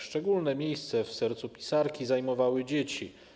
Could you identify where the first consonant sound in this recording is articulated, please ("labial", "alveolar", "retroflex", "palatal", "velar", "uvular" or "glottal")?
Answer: retroflex